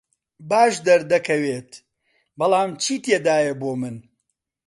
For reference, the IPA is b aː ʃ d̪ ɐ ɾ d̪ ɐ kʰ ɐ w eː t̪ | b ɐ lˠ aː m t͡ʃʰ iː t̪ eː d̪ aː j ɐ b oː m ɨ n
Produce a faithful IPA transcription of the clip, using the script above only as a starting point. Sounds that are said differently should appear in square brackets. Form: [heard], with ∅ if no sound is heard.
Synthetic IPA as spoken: b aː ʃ d̪ ɐ ɾ d̪ ɐ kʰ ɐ w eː t̪ | b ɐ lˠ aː m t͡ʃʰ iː t̪ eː d̪ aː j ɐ b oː m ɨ n